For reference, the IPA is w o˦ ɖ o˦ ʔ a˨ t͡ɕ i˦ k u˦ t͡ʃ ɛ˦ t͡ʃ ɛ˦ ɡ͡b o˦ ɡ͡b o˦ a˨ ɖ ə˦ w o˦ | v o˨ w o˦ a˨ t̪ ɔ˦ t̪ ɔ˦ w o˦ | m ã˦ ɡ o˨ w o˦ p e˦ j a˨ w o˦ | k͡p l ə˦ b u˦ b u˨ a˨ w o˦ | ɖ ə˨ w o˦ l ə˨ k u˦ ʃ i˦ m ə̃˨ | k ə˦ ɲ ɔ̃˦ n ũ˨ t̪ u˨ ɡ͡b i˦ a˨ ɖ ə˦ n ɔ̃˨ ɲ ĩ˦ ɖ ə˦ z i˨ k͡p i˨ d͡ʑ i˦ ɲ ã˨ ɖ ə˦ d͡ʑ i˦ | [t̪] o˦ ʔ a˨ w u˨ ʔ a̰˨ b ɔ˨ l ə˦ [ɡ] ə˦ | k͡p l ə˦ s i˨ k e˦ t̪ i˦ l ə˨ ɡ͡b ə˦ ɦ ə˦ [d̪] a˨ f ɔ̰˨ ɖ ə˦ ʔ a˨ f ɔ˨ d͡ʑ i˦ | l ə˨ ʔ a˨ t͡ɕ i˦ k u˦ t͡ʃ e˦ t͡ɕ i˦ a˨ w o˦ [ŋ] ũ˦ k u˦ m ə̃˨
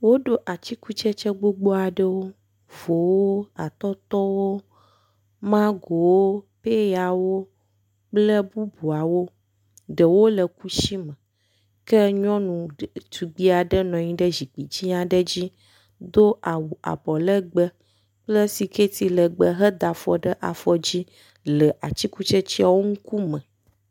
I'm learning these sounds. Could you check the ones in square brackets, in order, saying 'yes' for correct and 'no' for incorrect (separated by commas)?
no, no, yes, yes